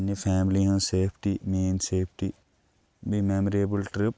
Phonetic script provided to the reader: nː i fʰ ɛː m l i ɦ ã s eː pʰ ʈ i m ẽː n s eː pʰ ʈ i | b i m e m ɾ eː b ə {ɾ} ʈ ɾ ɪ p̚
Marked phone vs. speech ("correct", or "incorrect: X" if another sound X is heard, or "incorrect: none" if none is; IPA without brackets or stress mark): incorrect: l